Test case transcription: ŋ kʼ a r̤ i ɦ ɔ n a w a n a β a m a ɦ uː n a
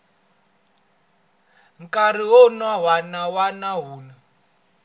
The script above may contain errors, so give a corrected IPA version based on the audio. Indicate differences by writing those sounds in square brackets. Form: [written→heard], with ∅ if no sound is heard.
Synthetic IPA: ŋ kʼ a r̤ i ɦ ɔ n a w a n a [β→w] a [m→n] a ɦ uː n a